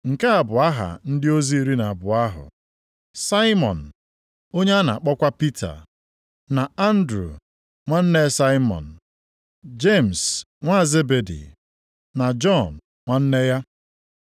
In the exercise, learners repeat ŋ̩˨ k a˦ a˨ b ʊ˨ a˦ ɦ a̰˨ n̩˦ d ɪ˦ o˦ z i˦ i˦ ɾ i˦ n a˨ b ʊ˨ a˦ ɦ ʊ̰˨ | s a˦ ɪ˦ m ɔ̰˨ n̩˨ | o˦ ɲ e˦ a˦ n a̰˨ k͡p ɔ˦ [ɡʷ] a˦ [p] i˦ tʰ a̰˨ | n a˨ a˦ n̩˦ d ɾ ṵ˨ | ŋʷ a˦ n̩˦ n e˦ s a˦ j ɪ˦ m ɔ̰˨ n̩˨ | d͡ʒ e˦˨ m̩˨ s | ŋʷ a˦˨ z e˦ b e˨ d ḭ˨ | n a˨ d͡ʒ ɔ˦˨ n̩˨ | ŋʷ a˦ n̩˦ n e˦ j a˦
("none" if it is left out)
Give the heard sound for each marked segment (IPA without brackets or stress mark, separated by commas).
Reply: kʷ, p